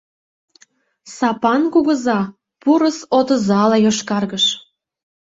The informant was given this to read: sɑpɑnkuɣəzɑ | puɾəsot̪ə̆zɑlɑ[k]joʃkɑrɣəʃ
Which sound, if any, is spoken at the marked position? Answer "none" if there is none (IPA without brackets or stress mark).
none